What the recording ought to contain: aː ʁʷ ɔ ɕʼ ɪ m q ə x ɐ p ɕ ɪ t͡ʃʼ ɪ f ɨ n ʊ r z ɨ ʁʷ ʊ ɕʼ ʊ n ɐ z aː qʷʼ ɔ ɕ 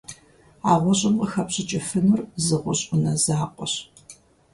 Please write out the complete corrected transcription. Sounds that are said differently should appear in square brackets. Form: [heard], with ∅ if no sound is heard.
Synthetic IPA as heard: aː ʁʷ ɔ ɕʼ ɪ m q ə x ɐ p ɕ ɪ t͡ʃʼ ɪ f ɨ n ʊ r z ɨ ʁʷ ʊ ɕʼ ʊ n ɐ z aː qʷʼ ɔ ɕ